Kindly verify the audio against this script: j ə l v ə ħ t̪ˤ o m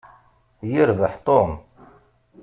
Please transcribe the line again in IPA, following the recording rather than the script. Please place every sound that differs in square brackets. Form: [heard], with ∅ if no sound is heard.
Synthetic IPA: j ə [ɾ] v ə ħ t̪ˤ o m